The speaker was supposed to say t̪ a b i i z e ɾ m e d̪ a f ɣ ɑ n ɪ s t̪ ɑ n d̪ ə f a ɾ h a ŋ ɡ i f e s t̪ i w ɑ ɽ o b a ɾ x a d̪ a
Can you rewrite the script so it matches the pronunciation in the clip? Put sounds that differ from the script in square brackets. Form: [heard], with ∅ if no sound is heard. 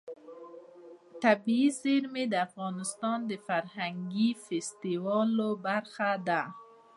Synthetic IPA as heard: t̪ a b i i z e ɾ m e d̪ a f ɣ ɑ n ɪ s t̪ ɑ n d̪ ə f a ɾ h a ŋ ɡ i f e s t̪ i w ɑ [l] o b a ɾ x a d̪ a